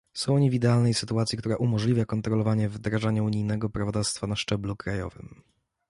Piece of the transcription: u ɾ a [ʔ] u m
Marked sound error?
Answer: no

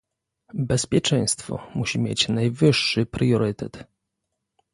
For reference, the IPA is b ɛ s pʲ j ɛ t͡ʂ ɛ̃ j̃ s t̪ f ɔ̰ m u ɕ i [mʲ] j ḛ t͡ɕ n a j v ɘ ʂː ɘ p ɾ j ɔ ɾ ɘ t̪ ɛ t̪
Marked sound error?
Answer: no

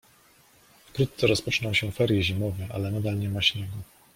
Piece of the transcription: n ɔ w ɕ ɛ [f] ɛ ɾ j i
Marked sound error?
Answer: no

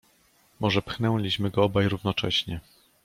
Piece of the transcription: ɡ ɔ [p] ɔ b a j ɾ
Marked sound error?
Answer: yes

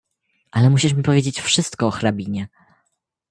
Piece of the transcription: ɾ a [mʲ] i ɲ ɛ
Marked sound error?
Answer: yes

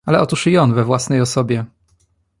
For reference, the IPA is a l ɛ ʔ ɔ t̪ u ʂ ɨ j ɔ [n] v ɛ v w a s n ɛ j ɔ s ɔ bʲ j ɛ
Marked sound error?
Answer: no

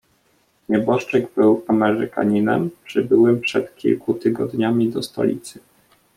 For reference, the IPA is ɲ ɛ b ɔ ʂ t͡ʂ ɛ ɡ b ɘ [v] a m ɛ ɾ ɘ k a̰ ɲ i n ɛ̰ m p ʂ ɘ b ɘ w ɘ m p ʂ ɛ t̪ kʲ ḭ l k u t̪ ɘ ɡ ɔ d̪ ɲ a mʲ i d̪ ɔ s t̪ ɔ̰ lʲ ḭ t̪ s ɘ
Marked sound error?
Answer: yes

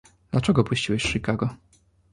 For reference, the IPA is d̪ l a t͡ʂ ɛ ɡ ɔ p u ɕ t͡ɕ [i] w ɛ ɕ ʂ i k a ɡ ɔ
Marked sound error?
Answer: no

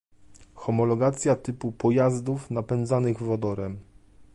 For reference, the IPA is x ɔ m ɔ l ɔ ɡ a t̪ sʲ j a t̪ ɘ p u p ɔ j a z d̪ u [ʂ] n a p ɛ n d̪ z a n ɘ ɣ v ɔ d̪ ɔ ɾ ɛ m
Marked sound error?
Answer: yes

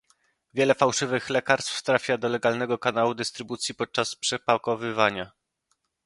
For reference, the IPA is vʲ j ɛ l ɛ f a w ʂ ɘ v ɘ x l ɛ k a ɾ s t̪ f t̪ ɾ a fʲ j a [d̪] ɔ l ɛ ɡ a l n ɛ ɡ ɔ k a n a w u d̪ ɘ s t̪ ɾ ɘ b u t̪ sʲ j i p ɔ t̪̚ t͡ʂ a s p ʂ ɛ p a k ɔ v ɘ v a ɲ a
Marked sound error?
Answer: no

